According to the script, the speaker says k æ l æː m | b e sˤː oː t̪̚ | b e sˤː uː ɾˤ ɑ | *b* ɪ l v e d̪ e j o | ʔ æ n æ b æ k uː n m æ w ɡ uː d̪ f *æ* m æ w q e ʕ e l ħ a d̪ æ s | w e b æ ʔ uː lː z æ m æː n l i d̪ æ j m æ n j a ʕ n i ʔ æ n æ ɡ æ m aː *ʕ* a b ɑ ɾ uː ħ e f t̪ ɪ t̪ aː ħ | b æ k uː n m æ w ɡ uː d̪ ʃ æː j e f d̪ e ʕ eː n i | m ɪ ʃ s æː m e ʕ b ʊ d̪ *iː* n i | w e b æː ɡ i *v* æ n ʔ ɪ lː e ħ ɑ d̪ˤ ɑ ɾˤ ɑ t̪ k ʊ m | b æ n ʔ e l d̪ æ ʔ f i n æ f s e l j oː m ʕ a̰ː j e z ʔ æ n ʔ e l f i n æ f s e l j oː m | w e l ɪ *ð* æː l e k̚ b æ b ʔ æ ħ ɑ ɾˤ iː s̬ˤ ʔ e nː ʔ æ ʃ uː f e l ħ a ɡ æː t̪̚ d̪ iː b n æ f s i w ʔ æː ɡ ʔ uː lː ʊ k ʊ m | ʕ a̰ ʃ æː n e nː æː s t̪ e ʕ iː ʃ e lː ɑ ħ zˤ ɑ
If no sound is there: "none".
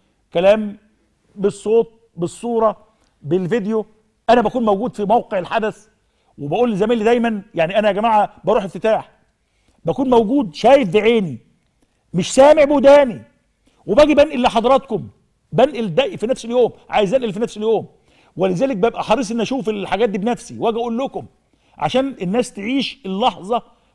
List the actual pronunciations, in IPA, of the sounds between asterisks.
b, i, ʕ, æː, b, z

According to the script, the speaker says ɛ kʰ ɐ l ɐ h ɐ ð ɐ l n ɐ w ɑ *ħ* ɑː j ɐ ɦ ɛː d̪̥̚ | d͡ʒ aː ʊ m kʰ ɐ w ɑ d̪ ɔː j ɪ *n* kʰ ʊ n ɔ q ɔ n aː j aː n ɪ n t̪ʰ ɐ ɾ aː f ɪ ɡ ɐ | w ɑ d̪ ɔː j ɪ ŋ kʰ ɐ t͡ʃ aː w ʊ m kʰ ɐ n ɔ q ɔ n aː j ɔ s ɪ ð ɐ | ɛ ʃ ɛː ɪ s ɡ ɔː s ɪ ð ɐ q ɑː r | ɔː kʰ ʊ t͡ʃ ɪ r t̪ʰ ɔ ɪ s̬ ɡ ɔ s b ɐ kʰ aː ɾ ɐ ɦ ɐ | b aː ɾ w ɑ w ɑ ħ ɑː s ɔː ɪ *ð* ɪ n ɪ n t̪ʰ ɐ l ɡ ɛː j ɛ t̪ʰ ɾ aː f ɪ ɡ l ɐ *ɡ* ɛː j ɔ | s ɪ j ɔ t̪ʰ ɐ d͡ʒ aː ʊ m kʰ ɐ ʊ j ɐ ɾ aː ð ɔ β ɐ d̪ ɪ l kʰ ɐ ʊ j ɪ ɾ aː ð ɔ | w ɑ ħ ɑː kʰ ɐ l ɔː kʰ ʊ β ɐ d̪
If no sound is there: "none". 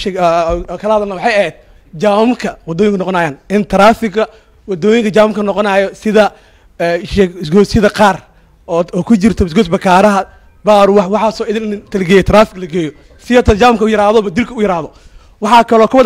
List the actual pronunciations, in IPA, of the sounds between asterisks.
ħ, ŋ, ð, ɡ

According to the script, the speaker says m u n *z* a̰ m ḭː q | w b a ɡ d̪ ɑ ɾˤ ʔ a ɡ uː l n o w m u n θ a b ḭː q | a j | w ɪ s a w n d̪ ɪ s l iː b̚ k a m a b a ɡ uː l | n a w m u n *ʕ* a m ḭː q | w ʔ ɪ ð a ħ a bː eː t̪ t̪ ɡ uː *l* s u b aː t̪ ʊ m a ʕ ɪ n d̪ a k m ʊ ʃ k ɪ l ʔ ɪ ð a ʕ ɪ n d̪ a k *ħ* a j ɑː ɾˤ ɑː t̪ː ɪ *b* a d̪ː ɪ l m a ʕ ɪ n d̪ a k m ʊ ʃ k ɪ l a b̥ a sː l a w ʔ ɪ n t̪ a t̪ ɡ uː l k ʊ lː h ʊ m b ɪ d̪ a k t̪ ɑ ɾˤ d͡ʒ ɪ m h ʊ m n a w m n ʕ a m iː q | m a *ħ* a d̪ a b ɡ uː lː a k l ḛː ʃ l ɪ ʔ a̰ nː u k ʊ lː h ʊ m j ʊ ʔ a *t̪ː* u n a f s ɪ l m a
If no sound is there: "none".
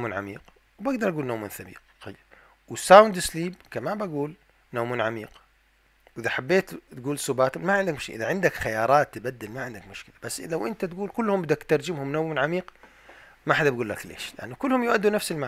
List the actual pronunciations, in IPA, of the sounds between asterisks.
ʕ, ʕ, l, x, b, ħ, d̪ː

